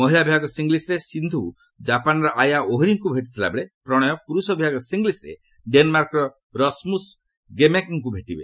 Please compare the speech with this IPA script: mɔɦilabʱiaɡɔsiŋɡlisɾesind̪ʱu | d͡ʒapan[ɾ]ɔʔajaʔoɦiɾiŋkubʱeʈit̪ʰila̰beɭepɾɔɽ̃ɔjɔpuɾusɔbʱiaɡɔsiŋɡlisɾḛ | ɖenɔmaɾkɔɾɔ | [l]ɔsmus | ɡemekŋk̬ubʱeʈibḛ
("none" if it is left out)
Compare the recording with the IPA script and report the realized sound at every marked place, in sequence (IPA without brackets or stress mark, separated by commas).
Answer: ɾ, ɾ